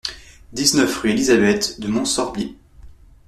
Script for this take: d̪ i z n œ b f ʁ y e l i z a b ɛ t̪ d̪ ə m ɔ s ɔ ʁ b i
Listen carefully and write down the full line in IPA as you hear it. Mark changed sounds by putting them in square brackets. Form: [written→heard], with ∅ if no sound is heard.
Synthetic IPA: d̪ i z n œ [b→∅] f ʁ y e l i z a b ɛ t̪ d̪ ə m [ɔ→ɔ̃] s ɔ ʁ b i